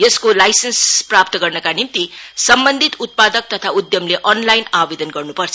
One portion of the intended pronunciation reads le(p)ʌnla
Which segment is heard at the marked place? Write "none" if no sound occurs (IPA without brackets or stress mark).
ʔ